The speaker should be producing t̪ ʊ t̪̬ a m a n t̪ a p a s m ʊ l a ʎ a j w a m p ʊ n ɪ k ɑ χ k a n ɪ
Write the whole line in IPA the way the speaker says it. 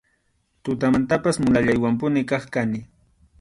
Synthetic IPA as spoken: t̪ ʊ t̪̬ a m a n t̪ a p a s m ʊ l a ʎ a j w a m p ʊ n ɪ k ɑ χ k a n ɪ